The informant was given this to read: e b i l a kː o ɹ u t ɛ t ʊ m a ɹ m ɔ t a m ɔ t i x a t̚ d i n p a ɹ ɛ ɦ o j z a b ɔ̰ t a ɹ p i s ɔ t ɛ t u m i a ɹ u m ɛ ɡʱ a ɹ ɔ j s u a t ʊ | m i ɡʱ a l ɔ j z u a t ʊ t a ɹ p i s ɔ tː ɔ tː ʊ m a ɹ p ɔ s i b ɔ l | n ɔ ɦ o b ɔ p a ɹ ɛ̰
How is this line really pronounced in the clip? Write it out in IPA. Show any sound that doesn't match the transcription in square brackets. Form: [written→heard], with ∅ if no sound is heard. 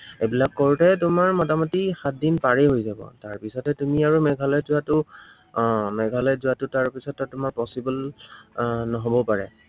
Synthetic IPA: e b i l a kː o ɹ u t ɛ t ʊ m a ɹ m ɔ t a m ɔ t i x a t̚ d i n p a ɹ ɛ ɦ o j z a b ɔ̰ t a ɹ p i s ɔ t ɛ t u m i a ɹ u m ɛ ɡʱ a [ɹ→l] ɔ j [s→z] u a t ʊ | m [i→ɛ] ɡʱ a l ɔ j z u a t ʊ t a ɹ p i s ɔ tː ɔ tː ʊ m a ɹ p ɔ s i b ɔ l | n ɔ ɦ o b ɔ p a ɹ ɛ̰